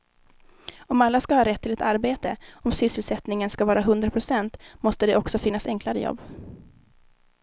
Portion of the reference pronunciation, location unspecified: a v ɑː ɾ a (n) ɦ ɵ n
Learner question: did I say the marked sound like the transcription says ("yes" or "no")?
no